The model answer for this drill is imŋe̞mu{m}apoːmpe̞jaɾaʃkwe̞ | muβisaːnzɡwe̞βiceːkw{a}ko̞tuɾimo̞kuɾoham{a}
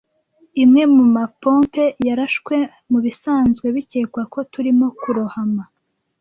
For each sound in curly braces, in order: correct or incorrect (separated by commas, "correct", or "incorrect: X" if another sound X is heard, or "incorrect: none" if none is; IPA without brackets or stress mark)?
correct, correct, correct